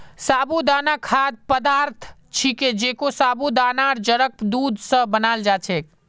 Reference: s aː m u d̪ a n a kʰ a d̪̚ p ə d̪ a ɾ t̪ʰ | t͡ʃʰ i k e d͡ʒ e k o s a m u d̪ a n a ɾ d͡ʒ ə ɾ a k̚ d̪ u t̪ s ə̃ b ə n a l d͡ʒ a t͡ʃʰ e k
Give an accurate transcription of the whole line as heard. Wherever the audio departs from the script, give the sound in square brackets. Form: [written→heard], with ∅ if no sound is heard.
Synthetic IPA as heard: s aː [m→b] u d̪ a n a kʰ a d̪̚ p ə d̪ a ɾ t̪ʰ | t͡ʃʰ i k e d͡ʒ e k o s a [m→b] u d̪ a n a ɾ d͡ʒ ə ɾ [a→ə] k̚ d̪ u [t̪→d̪] s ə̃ b ə n a l d͡ʒ a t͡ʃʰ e k